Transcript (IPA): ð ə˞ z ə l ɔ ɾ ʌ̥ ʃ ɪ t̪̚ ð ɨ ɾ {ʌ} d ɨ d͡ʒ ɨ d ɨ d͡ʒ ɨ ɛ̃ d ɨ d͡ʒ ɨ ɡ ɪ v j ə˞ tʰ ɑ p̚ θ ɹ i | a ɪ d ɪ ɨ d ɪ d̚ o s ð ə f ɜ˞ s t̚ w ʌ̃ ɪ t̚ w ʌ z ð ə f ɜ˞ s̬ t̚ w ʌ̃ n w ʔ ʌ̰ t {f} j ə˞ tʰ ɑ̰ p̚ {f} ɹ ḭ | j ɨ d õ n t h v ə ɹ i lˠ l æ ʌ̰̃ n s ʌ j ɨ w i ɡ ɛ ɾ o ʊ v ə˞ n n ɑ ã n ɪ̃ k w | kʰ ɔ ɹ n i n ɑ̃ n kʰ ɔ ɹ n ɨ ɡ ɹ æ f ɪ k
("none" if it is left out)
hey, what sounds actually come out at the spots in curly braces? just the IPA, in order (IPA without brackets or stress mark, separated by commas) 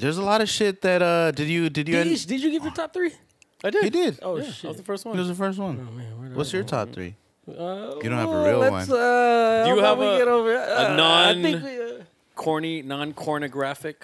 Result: ʌ, s, θ